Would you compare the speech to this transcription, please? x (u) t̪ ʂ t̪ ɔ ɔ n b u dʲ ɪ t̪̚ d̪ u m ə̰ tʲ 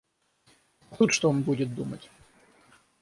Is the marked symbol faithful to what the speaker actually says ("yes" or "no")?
yes